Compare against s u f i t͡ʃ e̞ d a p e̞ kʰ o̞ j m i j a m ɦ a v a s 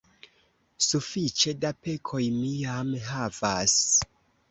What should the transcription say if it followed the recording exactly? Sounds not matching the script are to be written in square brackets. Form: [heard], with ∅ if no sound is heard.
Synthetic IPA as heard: s u f i t͡ʃ e̞ d a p e̞ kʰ o̞ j m i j a m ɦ a v a s